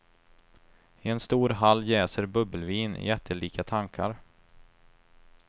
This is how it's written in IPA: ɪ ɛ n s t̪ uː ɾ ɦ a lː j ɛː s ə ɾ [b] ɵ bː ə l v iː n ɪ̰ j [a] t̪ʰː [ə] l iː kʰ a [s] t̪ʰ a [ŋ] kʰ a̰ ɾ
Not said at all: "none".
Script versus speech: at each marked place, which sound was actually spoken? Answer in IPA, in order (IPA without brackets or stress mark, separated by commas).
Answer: b, ɛ, ə, none, ŋ